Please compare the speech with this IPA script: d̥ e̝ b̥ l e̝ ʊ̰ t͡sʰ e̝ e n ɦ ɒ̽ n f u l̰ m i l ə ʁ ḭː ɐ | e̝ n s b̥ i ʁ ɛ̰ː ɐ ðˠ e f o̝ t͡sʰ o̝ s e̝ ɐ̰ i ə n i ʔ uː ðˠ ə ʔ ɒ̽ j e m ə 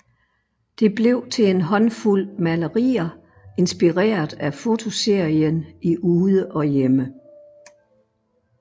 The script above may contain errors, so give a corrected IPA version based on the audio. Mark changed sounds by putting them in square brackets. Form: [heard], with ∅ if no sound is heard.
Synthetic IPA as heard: d̥ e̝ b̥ l e̝ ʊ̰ t͡sʰ e̝ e n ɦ ɒ̽ n f u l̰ m [æ] l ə ʁ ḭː ɐ | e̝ n s b̥ i ʁ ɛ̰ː ɐ ðˠ [æ] f o̝ t͡sʰ o̝ s e̝ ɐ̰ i ə n i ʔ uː ðˠ ə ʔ ɒ̽ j e m ə